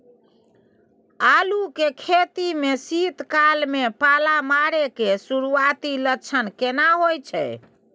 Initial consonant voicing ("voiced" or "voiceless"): voiced